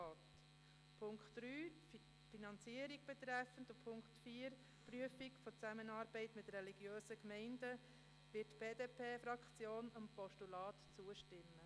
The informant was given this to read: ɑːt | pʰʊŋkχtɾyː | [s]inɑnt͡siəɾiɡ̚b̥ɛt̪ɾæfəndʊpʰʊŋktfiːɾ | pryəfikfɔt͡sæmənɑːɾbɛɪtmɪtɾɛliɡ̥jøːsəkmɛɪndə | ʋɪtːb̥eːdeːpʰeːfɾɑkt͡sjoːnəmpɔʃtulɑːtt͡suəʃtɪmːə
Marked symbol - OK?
no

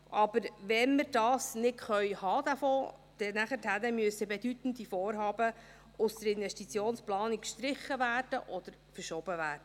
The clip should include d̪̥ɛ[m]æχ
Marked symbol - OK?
no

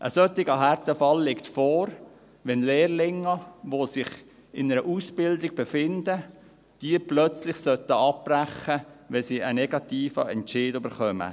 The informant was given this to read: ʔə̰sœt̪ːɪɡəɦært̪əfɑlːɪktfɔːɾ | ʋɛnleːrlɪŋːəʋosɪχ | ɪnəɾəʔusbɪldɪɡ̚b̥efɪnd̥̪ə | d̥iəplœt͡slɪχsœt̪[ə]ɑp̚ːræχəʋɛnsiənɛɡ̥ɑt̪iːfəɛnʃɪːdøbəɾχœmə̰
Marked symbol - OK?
yes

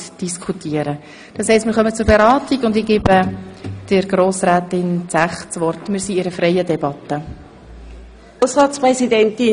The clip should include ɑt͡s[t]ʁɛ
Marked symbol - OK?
no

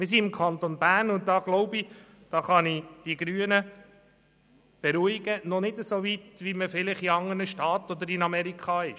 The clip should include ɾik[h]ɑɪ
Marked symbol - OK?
no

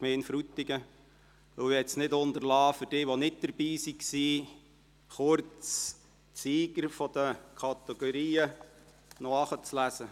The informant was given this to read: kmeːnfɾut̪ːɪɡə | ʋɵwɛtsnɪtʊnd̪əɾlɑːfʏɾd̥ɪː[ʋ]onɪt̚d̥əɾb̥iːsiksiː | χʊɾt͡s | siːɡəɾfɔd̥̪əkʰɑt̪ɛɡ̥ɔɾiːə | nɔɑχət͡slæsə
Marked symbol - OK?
yes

